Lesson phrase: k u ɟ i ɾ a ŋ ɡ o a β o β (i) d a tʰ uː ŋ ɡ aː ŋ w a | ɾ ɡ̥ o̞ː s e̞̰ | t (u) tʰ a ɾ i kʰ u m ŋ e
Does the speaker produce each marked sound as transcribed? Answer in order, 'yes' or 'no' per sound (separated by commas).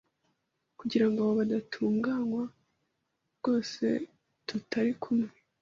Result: no, yes